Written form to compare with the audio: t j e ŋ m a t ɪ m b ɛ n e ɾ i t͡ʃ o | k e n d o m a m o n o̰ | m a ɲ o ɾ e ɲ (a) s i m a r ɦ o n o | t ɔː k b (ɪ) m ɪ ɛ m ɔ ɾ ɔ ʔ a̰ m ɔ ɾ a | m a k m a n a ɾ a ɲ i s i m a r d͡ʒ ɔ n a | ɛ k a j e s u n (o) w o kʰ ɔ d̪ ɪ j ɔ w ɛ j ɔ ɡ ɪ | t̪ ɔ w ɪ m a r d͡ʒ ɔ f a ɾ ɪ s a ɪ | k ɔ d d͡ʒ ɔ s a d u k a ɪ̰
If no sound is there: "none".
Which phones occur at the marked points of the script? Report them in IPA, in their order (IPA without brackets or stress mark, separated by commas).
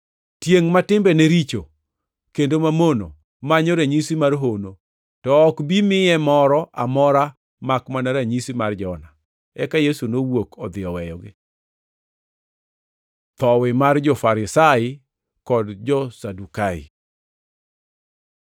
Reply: i, i, o